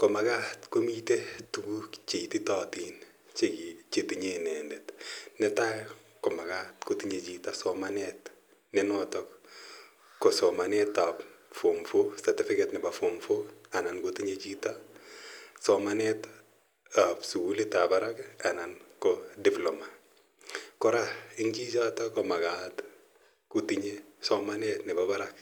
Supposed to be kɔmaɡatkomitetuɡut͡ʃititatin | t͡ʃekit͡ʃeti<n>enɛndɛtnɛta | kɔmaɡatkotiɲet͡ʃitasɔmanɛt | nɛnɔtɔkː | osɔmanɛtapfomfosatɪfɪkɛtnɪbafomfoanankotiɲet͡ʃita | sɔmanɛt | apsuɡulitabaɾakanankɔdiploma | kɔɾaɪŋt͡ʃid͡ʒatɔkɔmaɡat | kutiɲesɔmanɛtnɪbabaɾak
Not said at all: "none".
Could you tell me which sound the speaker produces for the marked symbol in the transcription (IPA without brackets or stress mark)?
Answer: ɲ